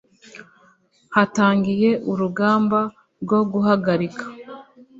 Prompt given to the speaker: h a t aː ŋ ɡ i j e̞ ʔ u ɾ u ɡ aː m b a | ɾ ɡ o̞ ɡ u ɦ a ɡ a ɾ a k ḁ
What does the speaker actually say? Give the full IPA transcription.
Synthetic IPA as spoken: h a t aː ŋ ɡ i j e̞ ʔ u ɾ u ɡ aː m b a | ɾ ɡ o̞ ɡ u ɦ a ɡ a ɾ i k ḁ